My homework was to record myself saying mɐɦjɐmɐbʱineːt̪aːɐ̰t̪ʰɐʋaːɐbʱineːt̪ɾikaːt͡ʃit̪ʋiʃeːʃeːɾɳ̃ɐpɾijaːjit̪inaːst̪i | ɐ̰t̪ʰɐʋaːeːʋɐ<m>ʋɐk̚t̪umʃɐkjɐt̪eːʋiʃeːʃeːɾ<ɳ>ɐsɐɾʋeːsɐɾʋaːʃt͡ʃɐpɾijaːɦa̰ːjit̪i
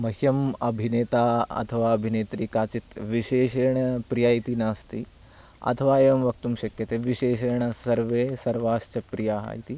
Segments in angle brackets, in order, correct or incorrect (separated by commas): correct, correct